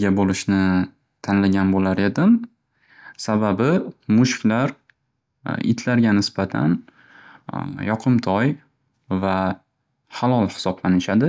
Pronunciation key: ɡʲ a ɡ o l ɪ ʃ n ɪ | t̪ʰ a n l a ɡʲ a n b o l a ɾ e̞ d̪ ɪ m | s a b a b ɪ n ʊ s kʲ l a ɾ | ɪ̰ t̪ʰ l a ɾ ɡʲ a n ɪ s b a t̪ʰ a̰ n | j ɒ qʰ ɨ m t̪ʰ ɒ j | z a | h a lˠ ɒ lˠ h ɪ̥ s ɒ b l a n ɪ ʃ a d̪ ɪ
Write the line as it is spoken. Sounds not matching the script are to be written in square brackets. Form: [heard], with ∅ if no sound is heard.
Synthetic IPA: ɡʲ a [b] o l ɪ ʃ n ɪ | t̪ʰ a n l a ɡʲ a n b o l a ɾ e̞ d̪ ɪ m | s a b a b ɪ [m] ʊ [ʃ] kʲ l a ɾ | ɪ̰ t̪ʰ l a ɾ ɡʲ a n ɪ s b a t̪ʰ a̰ n | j ɒ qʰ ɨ m t̪ʰ ɒ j | [v] a | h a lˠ ɒ lˠ h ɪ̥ s ɒ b l a n ɪ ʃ a d̪ ɪ